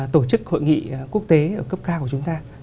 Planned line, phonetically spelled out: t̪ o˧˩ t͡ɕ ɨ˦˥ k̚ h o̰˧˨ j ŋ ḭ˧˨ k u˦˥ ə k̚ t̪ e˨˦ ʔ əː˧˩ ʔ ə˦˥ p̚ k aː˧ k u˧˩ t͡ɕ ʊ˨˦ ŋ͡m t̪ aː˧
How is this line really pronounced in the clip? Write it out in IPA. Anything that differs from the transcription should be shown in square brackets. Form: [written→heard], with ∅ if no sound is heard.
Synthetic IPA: t̪ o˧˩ t͡ɕ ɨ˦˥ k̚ h o̰˧˨ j ŋ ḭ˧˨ k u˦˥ ə k̚ t̪ e˨˦ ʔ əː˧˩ [ʔ→k] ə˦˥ p̚ k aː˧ k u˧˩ t͡ɕ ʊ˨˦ ŋ͡m t̪ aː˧